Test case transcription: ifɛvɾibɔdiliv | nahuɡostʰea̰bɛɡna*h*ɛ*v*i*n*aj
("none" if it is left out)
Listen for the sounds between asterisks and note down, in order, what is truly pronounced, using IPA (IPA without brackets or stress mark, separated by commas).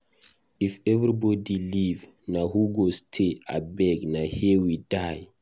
h, w, d